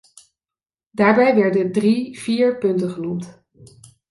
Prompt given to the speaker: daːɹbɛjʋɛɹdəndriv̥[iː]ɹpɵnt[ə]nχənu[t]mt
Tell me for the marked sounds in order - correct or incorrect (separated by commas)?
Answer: correct, correct, incorrect